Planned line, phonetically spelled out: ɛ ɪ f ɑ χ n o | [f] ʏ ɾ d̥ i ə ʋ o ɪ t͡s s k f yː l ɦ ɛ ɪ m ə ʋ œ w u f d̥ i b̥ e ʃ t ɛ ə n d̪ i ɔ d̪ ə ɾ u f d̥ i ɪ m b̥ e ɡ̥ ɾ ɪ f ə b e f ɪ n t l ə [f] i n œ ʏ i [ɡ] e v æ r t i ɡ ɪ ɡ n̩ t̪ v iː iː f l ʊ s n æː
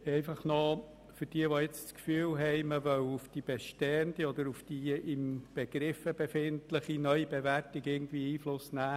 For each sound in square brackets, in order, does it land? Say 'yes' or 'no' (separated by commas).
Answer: yes, no, no